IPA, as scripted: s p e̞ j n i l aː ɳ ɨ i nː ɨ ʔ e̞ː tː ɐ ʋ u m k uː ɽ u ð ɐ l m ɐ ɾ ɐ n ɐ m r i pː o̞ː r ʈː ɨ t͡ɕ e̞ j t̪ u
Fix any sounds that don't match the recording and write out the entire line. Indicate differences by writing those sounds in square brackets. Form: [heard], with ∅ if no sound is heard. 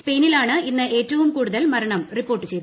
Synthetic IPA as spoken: s p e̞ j n i l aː ɳ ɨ i nː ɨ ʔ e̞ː tː ɐ ʋ u m k uː ɽ u ð ɐ l m ɐ ɾ ɐ [ɳ] ɐ m r i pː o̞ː r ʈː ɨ t͡ɕ e̞ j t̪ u